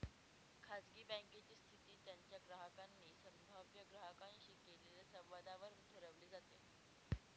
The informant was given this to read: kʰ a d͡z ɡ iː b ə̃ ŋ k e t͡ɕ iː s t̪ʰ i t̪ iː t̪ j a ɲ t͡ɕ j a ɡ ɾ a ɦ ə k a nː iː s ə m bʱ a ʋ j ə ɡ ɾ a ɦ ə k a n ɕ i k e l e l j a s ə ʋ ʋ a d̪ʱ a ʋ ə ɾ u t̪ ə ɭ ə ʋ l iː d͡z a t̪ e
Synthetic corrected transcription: kʰ a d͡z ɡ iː b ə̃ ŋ k e t͡ɕ iː s t̪ʰ i t̪ iː t̪ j a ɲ t͡ɕ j a ɡ ɾ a ɦ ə k a nː iː s ə m bʱ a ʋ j ə ɡ ɾ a ɦ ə k a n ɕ i k e l e l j a s ə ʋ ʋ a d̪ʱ a ʋ ə ɾ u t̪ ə ɾ ə ʋ l iː d͡z a t̪ e